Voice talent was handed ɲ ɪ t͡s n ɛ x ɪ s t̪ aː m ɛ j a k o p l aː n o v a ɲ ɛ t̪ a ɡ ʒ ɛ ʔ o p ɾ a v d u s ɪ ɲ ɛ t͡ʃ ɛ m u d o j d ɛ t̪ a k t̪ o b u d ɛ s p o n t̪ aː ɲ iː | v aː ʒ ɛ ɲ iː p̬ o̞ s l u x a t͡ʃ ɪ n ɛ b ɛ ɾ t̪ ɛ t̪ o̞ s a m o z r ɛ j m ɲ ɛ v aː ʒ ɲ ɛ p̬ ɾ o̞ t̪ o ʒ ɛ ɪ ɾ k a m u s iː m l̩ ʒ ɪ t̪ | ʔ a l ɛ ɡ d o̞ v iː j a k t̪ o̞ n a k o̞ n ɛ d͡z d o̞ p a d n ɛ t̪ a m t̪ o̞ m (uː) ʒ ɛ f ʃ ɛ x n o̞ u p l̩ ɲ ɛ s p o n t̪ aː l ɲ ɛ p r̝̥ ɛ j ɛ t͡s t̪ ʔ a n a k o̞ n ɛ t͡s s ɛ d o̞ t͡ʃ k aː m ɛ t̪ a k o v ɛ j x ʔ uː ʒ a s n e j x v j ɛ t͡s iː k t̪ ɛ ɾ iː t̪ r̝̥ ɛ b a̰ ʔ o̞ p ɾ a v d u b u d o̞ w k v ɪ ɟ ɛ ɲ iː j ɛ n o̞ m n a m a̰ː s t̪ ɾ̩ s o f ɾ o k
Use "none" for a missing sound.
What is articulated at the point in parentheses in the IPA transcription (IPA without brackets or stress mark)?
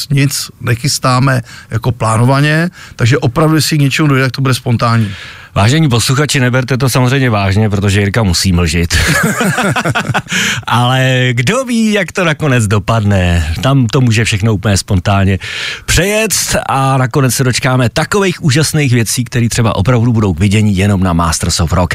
uː